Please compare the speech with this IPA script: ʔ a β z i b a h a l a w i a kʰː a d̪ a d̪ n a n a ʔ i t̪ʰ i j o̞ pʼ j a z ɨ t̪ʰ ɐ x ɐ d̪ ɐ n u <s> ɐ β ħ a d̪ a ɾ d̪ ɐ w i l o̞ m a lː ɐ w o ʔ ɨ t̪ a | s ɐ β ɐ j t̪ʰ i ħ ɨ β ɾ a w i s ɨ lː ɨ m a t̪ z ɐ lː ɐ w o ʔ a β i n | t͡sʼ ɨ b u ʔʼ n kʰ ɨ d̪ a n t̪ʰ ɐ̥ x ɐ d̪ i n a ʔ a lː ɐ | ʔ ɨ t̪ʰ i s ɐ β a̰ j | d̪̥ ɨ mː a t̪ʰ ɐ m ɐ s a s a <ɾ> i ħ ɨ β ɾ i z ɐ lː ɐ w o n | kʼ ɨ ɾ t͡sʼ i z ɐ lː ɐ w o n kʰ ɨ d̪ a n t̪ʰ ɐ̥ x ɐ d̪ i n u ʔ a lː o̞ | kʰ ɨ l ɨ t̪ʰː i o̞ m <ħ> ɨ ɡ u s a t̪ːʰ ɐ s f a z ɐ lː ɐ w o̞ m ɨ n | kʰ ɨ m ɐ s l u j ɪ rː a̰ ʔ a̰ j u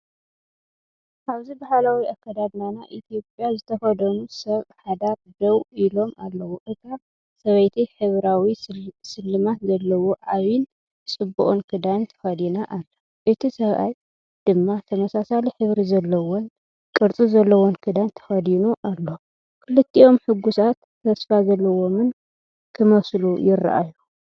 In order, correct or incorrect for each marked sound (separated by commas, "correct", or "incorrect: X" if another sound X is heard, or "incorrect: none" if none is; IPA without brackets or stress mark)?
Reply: correct, incorrect: l, correct